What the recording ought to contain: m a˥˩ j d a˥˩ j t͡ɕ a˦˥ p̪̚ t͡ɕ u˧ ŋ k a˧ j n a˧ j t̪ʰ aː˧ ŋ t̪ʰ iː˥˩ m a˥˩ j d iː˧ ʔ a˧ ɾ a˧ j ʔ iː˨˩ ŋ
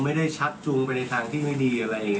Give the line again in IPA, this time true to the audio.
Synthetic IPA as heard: m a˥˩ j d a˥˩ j t͡ɕʰ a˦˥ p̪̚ t͡ɕ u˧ ŋ p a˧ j n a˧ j t̪ʰ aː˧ ŋ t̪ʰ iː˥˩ m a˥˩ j d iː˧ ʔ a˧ ɾ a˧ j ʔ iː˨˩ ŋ